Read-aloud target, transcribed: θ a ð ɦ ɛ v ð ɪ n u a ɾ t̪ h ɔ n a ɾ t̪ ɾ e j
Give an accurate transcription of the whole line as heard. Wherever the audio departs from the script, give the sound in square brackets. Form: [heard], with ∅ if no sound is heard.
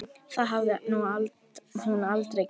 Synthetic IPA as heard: θ a ð ɦ [a] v ð ɪ n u a [l] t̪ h [u] n a [l] t̪ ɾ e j